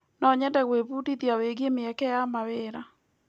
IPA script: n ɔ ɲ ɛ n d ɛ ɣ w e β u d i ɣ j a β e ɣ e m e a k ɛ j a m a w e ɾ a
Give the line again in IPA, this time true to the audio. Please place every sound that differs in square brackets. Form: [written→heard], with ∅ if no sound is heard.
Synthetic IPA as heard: n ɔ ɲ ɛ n d ɛ ɣ w e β u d i [ɣ→ð] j a [β→w] e ɣ e m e [a→ɛ] k ɛ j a m a w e ɾ a